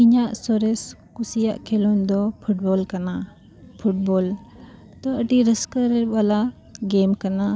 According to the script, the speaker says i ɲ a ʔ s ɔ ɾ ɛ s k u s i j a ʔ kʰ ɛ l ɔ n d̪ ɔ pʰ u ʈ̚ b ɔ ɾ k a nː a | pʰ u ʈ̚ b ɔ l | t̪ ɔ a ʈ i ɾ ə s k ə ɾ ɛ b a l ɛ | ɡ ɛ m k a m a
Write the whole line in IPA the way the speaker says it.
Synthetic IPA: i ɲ a ʔ s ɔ ɾ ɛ s k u s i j a ʔ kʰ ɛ l ɔ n d̪ ɔ pʰ u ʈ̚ b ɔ l k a n a | pʰ u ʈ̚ b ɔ l | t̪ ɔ ə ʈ i ɾ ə s k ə ɾ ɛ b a l a | ɡ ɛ m k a n a